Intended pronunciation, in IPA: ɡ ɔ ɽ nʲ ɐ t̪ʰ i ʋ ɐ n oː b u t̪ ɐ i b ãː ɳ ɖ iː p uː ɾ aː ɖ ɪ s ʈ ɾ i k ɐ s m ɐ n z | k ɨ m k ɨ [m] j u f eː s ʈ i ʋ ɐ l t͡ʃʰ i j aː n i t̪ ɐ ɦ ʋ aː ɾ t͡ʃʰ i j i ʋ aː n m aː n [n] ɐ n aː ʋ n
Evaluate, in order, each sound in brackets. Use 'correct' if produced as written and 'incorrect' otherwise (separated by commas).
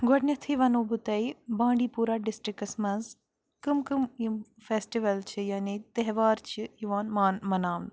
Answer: correct, incorrect